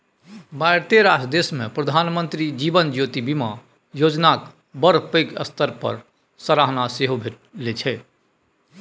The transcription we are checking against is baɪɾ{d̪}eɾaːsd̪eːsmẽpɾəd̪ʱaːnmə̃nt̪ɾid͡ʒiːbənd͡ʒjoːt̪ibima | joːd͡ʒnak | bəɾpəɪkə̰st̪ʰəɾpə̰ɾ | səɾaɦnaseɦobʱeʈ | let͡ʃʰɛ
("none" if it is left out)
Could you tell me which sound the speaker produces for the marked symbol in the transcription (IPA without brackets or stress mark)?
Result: t̪